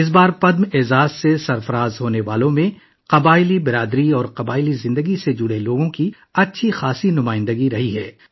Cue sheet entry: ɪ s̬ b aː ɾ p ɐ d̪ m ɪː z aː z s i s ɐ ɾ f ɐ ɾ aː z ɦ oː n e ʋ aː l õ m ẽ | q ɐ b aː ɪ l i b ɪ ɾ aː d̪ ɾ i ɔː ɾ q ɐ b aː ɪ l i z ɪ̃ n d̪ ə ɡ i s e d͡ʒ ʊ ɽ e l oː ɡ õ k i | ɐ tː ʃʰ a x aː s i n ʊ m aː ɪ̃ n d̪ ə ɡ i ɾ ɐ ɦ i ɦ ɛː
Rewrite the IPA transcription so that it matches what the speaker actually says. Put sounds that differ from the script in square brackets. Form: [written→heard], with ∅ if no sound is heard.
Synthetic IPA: ɪ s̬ b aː ɾ p ɐ d̪ m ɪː z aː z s [i→e] s ɐ ɾ f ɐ ɾ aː z ɦ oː n e ʋ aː l õ m ẽ | q ɐ b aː ɪ l i b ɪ ɾ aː d̪ ɾ i ɔː ɾ q ɐ b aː ɪ l i z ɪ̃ n d̪ ə ɡ i s e d͡ʒ ʊ ɽ e l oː ɡ õ k i | ɐ tː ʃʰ [a→i] x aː s i n ʊ m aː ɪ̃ n d̪ ə ɡ i ɾ ɐ ɦ i ɦ ɛː